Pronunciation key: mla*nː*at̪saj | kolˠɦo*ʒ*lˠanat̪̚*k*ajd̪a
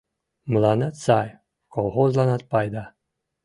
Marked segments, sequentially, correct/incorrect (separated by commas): incorrect, incorrect, incorrect